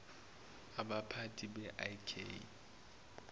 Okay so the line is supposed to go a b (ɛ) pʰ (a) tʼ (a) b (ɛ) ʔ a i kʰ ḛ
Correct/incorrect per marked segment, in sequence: incorrect: a, correct, incorrect: i, correct

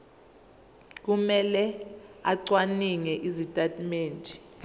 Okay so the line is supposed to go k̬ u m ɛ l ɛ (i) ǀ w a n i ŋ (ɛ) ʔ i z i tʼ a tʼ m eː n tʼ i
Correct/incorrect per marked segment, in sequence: incorrect: a, correct

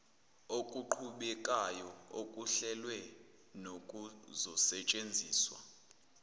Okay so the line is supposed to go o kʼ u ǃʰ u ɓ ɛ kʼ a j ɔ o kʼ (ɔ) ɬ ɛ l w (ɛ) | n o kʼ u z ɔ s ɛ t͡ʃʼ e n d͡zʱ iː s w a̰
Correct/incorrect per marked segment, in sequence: incorrect: u, correct

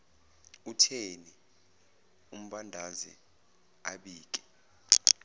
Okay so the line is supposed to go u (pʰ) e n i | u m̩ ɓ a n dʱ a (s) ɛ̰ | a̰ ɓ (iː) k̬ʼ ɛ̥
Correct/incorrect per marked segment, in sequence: incorrect: tʰ, incorrect: z, correct

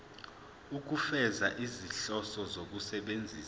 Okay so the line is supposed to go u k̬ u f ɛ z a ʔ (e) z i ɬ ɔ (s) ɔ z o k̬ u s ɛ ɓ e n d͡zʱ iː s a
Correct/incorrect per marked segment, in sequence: incorrect: i, correct

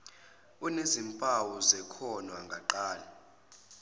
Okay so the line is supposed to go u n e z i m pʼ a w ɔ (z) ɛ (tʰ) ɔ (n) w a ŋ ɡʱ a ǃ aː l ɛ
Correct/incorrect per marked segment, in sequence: correct, incorrect: kʰ, correct

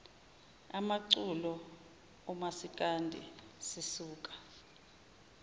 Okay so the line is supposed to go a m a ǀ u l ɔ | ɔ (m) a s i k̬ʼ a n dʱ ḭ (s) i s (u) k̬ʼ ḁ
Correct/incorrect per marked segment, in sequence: correct, correct, incorrect: uː

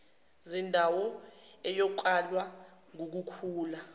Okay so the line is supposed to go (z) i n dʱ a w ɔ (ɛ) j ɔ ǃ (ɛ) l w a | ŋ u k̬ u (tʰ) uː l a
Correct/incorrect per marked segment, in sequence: correct, correct, incorrect: a, incorrect: kʰ

